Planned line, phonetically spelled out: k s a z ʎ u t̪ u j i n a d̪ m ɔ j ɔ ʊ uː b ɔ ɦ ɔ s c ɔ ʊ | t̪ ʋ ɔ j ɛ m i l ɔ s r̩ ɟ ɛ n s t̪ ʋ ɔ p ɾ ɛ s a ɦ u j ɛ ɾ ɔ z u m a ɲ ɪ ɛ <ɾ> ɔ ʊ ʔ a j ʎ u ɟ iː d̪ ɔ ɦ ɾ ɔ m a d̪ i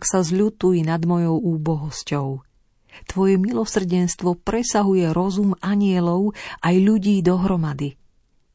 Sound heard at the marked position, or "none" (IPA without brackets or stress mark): l